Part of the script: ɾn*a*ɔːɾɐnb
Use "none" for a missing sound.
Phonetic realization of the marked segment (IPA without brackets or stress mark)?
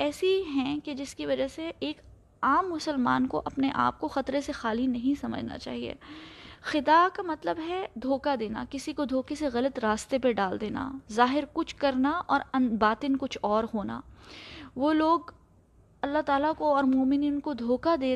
a